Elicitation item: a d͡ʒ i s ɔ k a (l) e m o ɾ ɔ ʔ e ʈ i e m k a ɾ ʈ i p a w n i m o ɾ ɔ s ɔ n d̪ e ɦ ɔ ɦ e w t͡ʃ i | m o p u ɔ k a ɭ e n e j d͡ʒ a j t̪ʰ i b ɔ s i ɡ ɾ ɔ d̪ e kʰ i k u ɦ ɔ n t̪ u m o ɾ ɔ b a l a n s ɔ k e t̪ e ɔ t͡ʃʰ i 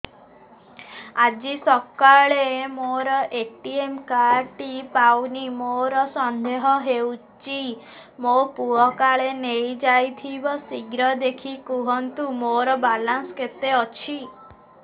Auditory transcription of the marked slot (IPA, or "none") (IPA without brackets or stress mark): ɭ